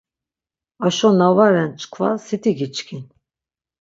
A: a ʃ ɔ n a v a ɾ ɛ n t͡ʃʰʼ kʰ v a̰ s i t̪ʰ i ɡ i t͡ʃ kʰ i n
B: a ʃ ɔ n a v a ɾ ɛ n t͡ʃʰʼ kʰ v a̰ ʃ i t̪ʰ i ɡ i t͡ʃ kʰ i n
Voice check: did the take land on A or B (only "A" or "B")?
A